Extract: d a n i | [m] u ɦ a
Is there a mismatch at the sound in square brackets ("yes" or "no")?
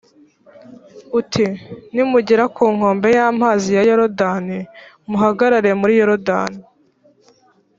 no